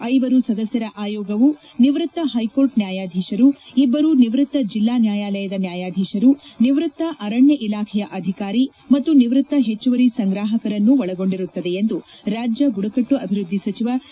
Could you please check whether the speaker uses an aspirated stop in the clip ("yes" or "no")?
yes